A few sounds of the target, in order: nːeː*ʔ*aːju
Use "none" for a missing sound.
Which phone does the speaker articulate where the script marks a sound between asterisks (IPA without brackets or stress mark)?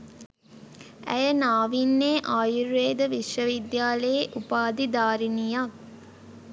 ʔ